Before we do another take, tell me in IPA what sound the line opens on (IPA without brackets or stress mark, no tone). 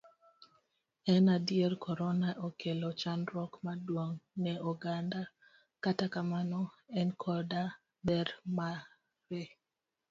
ɛ